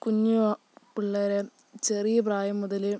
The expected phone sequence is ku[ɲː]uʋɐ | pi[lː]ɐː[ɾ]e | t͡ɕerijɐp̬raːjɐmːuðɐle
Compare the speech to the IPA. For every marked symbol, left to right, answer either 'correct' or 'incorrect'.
correct, incorrect: ɭː, correct

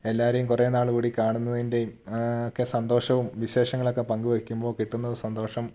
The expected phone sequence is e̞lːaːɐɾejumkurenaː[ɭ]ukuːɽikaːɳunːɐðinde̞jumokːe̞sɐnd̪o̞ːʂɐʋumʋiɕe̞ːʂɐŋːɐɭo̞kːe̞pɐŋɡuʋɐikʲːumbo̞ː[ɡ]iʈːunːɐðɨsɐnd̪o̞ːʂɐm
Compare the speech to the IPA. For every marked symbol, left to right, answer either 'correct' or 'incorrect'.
correct, incorrect: k

